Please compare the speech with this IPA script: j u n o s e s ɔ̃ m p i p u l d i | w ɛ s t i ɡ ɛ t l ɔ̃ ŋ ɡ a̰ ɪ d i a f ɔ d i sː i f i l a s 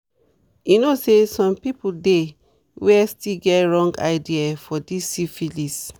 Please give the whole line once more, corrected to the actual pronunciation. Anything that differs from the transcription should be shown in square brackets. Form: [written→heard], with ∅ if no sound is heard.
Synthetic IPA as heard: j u n o s e s ɔ̃ m p i p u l d [i→e] | w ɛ s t i ɡ ɛ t [l→ɹ] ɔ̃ ŋ ɡ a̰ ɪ d i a f ɔ d i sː i f i l [a→i] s